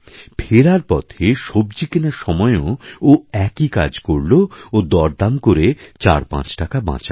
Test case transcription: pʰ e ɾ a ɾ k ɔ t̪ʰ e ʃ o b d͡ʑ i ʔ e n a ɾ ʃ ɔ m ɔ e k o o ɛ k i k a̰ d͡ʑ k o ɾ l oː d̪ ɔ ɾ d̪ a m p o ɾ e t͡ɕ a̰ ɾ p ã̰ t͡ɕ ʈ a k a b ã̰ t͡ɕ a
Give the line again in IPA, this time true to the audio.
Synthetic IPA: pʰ e ɾ a ɾ p ɔ t̪ʰ e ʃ o b d͡ʑ i k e n a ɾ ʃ ɔ m ɔ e o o ɛ k i k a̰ d͡ʑ k o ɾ l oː d̪ ɔ ɾ d̪ a m k o ɾ e t͡ɕ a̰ ɾ p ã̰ t͡ɕ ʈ a k a b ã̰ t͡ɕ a